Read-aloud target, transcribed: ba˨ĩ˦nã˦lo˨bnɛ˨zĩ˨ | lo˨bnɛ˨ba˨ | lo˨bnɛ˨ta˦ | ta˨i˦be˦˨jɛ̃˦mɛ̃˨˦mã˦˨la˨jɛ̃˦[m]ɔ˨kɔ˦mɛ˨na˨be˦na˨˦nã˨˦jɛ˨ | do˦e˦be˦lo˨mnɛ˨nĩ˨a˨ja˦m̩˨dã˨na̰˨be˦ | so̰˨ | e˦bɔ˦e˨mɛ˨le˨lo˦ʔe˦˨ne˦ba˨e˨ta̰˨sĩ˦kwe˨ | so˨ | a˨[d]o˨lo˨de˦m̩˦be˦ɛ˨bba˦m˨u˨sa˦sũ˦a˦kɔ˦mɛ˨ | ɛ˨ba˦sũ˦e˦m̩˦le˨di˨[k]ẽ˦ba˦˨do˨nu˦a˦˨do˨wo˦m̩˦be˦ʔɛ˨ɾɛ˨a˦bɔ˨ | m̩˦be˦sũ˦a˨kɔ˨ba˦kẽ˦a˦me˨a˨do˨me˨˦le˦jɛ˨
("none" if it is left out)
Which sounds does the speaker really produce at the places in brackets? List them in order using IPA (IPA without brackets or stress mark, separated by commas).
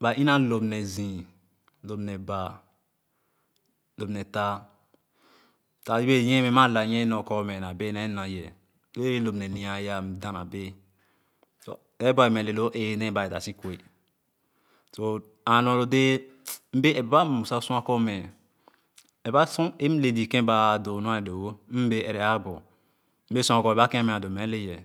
n, n, k